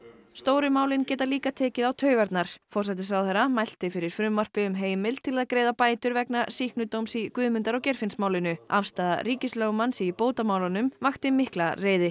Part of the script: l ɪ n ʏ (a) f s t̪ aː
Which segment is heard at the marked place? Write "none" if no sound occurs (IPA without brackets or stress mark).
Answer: a